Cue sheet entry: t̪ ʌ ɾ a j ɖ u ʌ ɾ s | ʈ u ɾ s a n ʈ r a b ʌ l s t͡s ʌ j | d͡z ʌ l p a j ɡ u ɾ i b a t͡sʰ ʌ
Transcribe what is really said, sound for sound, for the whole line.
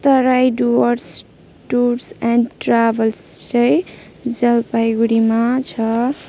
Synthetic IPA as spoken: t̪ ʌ ɾ a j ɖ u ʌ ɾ s | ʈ u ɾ s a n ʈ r a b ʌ l s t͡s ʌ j | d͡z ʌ l p a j ɡ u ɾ i m a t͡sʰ ʌ